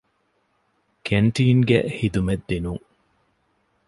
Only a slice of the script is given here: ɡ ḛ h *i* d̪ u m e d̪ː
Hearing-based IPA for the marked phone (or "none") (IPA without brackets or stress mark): i